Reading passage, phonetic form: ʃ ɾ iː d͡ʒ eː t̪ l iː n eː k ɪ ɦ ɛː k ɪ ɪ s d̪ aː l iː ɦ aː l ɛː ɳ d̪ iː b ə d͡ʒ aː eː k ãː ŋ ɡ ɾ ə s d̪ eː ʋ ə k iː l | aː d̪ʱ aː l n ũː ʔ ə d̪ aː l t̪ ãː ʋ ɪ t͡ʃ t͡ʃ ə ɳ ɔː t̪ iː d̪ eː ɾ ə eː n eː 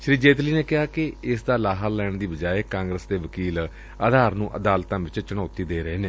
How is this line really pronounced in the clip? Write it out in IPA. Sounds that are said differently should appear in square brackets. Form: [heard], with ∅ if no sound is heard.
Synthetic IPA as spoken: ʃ ɾ iː d͡ʒ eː t̪ l iː n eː k ɪ ɦ [aː] k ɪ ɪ s d̪ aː l [aː] ɦ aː l ɛː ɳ d̪ iː b ə d͡ʒ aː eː k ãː ŋ ɡ ɾ ə s d̪ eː ʋ ə k iː l | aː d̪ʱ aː [ɾ] n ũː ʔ ə d̪ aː l t̪ ãː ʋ ɪ t͡ʃ t͡ʃ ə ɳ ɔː t̪ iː d̪ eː ɾ ə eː n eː